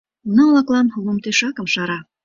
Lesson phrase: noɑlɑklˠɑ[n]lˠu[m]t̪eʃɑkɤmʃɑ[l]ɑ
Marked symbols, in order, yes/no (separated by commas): yes, yes, no